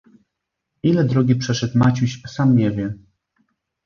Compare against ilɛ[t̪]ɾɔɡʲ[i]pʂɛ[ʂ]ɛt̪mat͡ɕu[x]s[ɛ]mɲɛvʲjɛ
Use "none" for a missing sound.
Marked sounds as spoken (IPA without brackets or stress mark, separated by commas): d̪, i, ʂ, ɕ, a